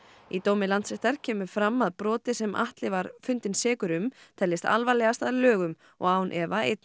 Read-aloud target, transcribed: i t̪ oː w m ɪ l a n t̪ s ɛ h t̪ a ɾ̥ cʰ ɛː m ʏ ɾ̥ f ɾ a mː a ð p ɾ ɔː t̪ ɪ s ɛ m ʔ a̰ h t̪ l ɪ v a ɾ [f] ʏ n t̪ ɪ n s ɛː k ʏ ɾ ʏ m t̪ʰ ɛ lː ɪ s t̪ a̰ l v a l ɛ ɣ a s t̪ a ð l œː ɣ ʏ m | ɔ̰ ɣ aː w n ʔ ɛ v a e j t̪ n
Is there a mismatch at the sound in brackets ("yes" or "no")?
no